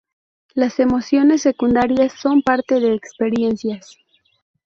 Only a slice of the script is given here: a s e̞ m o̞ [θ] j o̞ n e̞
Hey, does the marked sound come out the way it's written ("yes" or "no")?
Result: no